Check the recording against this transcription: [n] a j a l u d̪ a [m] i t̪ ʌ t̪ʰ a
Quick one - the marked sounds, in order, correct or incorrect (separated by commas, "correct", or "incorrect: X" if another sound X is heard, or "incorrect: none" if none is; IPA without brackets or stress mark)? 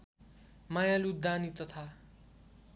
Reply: incorrect: m, incorrect: n